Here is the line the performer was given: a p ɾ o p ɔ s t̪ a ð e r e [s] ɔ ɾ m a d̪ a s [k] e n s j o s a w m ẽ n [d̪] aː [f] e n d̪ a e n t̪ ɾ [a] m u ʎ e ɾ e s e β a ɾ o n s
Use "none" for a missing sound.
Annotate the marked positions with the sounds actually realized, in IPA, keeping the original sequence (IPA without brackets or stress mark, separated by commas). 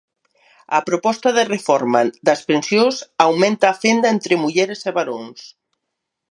f, p, t̪, f, e